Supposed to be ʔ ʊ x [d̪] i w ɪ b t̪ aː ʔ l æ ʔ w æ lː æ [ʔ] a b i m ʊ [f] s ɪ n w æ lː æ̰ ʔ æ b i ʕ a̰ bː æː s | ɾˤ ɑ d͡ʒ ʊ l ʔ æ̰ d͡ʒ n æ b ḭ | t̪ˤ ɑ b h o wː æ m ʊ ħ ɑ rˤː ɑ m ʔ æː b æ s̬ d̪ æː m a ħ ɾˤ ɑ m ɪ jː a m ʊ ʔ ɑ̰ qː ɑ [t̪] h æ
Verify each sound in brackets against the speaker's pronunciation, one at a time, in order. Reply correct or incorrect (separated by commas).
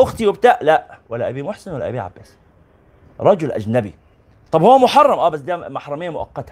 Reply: incorrect, correct, incorrect, correct